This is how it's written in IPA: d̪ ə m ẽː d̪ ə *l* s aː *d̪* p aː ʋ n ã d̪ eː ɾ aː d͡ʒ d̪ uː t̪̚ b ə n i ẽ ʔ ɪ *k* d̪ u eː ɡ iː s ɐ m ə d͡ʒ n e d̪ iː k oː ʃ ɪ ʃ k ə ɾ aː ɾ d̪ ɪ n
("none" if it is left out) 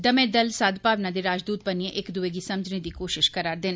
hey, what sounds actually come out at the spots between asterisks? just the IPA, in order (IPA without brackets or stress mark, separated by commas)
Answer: l, d̪, k